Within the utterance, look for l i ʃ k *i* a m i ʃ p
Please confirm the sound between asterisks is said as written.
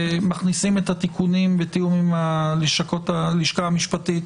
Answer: no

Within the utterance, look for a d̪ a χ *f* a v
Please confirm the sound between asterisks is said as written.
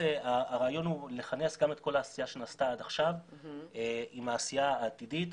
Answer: no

